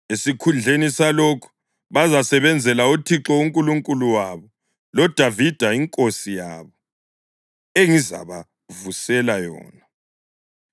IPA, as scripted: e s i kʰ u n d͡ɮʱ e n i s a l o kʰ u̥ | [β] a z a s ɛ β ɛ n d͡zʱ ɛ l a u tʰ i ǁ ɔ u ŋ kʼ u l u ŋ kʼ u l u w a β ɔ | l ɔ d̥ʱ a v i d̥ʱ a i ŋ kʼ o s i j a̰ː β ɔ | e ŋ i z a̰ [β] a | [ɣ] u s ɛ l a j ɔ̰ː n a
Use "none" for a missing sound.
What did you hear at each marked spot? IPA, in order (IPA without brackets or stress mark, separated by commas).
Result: β, β, v